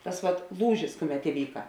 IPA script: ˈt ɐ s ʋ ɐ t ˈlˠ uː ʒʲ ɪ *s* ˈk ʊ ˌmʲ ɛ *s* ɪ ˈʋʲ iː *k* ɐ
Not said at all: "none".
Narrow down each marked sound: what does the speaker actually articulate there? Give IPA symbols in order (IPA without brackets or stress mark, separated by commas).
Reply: s, t, k